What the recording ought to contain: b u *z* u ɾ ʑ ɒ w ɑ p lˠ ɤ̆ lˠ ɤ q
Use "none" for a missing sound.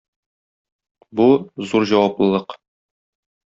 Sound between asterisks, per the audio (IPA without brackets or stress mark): z